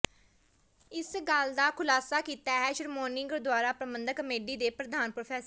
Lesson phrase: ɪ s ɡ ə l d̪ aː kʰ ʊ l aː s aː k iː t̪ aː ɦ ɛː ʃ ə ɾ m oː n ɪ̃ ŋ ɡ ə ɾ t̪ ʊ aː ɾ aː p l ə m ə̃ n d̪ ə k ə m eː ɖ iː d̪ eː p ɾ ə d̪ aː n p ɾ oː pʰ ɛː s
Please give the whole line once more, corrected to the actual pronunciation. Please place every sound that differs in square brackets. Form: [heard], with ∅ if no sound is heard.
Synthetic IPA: ɪ s ɡ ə l d̪ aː kʰ ʊ l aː s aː k iː t̪ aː ɦ ɛː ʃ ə ɾ m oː n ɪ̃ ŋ ɡ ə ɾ [d̪] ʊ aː ɾ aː p [ɾ] ə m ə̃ n d̪ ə k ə m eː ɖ iː d̪ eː p ɾ ə d̪ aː n p ɾ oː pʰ ɛː s